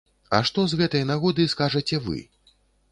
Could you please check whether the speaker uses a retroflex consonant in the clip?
yes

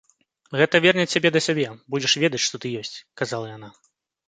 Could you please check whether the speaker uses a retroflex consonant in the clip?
yes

